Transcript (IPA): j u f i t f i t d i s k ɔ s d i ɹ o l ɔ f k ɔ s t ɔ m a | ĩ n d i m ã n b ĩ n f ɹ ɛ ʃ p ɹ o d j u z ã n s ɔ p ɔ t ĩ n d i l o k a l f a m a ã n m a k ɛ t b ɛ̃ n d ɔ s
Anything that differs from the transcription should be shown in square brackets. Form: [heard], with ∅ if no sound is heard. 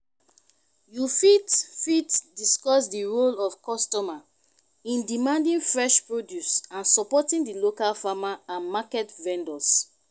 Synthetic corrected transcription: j u f i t f i t d i s k ɔ s d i ɹ o l ɔ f k ɔ s t ɔ m a | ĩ n d i m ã n [d] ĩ n f ɹ ɛ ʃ p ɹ o d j u [s] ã n s ɔ p ɔ t ĩ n d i l o k a l f a m a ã n m a k ɛ t [v] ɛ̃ n d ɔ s